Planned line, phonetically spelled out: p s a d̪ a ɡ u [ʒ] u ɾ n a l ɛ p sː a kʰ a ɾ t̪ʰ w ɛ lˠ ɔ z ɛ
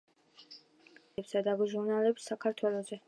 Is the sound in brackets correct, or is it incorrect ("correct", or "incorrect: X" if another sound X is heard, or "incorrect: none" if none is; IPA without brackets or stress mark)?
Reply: correct